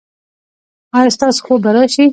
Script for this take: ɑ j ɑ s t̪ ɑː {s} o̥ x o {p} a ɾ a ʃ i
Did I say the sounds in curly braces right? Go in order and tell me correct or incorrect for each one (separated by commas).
correct, incorrect